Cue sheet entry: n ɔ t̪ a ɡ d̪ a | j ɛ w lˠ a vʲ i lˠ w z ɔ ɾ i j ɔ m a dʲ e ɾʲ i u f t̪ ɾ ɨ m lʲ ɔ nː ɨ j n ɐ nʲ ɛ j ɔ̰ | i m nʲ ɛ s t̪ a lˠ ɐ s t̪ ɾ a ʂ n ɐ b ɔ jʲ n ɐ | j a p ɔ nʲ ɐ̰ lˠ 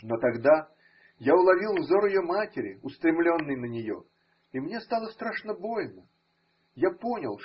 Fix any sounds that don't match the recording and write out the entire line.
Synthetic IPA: n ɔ t̪ a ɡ d̪ a | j a w lˠ a vʲ i lˠ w z ɔ ɾ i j ɔ m a tʲ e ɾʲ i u s t̪ ɾ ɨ m lʲ ɔ nː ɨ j n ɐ nʲ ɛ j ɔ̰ | i m nʲ ɛ s t̪ a lˠ ɐ s t̪ ɾ a ʂ n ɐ b ɔ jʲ n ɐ | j a p ɔ nʲ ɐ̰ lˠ